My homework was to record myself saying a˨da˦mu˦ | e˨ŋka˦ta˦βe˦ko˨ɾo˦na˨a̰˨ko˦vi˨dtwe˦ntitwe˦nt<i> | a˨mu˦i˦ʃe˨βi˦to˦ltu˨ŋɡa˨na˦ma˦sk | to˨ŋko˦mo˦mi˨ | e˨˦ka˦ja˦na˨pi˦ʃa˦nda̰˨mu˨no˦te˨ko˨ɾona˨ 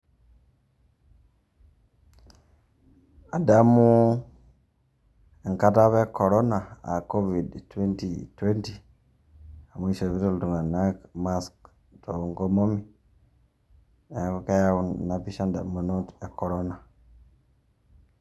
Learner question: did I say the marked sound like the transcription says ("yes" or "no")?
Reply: yes